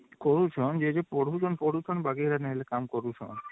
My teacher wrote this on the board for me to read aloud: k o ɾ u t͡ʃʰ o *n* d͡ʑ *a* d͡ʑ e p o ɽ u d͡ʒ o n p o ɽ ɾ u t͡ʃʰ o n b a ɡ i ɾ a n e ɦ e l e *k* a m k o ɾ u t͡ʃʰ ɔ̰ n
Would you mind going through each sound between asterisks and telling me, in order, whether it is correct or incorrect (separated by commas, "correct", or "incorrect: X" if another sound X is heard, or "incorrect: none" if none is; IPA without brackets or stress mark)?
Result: correct, incorrect: e, correct